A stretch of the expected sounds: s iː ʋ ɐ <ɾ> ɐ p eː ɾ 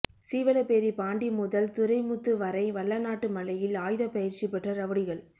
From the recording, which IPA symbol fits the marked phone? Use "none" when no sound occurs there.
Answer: l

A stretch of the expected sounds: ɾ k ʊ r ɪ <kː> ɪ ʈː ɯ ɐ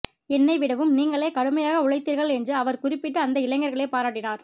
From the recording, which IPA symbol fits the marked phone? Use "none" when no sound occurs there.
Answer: pː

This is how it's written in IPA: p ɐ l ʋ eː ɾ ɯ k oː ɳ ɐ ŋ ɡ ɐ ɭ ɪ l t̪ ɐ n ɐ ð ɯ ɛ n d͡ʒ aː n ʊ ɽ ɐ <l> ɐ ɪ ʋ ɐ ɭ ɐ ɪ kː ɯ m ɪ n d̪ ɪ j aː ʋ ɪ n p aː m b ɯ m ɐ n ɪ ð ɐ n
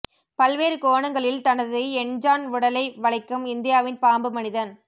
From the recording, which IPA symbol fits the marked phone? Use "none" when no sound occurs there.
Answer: l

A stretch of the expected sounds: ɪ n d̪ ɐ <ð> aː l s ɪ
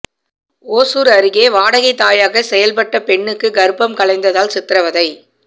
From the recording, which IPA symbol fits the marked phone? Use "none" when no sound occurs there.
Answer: ð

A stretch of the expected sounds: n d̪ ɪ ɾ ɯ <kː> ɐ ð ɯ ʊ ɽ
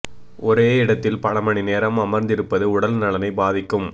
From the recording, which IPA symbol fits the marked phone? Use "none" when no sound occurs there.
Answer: pː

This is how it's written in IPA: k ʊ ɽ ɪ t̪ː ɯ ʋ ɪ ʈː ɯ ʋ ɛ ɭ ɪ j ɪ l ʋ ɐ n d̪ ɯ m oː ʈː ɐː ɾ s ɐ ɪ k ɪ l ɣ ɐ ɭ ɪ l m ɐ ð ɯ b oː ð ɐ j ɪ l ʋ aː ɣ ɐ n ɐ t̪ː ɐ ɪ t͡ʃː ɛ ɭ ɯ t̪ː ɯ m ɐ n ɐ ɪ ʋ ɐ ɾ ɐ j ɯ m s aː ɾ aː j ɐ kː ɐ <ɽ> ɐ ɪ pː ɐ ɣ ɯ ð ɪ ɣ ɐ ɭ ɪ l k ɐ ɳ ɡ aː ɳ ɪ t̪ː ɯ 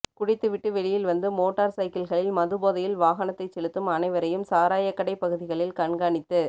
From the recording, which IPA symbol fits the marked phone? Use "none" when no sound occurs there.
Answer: ɽ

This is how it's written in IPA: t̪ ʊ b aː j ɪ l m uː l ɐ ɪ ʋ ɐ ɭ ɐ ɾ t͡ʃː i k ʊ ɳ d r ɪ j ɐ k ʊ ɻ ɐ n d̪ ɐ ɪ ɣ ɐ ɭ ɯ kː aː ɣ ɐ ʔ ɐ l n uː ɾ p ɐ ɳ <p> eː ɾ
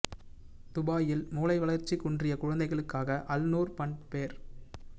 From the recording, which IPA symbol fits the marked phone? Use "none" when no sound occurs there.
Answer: p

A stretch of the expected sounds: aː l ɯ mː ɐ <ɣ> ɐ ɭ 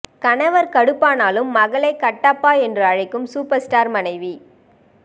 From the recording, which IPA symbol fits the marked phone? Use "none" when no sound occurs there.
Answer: ɣ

